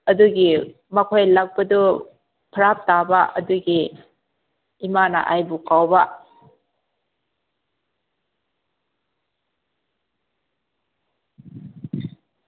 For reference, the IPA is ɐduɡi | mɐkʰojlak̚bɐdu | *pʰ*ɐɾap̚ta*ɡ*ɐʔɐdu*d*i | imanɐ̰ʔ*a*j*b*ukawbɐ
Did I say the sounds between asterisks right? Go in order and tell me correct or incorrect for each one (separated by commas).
correct, incorrect, incorrect, correct, correct